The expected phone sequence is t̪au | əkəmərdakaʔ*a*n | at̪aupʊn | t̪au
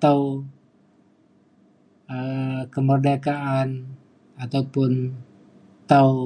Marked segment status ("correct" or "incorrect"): correct